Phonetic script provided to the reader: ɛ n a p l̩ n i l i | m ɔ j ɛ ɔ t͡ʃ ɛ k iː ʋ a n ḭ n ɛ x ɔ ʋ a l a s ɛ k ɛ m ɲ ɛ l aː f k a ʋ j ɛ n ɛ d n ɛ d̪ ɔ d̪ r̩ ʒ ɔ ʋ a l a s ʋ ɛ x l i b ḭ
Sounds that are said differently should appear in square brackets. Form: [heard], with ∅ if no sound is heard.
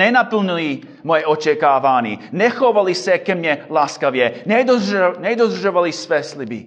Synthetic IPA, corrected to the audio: ɛ n a p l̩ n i l i | m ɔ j ɛ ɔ t͡ʃ ɛ k [aː] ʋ a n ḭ n ɛ x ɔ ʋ a l [i] s ɛ k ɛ m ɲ ɛ l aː [s] k a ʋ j ɛ n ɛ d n ɛ d̪ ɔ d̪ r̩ ʒ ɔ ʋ a l [i] s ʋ ɛ [s] l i b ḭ